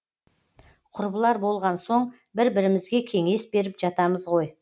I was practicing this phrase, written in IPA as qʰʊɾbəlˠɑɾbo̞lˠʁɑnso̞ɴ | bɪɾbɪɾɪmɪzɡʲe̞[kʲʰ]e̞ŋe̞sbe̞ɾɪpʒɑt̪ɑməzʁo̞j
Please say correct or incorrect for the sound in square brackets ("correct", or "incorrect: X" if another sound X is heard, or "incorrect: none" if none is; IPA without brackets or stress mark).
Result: correct